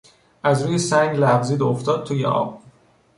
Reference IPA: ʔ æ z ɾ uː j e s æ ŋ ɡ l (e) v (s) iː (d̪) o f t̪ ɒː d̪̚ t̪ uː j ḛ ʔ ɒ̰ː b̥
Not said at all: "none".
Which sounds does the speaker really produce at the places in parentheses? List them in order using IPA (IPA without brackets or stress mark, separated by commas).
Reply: æ, z, d̪